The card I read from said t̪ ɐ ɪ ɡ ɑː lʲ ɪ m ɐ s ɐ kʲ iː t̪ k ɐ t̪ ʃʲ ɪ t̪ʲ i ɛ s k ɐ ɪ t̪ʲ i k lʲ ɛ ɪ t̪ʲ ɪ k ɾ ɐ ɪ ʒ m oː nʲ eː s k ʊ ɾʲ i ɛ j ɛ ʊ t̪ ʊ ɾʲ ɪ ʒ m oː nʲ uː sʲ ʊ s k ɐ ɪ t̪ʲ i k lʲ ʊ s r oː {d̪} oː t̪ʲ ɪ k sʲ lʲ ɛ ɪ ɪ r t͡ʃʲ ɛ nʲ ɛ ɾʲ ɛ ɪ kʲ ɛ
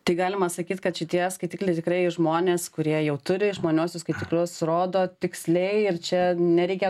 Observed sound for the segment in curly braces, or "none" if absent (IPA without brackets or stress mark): d̪